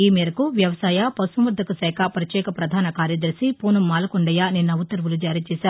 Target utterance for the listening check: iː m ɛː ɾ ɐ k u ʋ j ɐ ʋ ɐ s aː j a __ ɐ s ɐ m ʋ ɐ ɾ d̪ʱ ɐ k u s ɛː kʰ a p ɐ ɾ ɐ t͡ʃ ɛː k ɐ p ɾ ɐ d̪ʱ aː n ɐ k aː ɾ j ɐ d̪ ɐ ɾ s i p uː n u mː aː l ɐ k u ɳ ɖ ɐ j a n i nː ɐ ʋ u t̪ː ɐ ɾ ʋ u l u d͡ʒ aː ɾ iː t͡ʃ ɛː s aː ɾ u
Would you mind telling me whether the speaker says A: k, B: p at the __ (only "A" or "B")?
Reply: B